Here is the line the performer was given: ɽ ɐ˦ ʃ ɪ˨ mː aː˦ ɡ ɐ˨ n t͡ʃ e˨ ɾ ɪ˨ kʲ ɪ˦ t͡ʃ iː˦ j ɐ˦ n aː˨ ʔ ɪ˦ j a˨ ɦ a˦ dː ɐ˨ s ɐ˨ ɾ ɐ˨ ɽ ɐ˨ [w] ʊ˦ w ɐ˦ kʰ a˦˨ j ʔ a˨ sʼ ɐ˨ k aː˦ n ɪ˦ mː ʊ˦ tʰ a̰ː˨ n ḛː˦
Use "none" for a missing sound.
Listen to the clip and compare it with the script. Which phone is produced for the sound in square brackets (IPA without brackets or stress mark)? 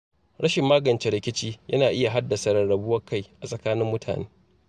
b